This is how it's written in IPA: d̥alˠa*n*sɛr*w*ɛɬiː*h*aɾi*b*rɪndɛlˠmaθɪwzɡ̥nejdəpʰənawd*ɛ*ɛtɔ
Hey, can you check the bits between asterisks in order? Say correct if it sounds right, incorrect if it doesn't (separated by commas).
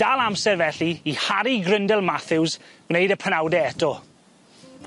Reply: incorrect, incorrect, correct, incorrect, correct